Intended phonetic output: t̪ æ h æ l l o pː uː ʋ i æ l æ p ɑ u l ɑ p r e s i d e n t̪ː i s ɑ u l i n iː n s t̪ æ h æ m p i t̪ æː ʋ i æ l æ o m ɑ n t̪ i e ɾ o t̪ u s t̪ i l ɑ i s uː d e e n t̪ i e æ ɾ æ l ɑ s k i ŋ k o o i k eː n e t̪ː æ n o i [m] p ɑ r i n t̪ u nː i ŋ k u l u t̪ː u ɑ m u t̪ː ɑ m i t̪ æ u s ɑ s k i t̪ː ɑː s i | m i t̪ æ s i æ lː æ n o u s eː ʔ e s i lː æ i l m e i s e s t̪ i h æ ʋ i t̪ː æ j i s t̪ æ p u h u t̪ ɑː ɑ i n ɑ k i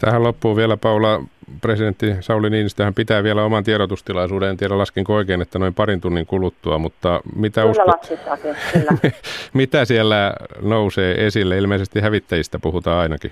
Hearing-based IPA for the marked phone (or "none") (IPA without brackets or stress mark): m